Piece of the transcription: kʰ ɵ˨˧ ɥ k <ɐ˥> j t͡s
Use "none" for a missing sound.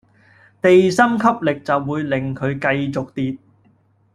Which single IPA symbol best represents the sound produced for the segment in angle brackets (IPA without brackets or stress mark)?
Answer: ɐ˧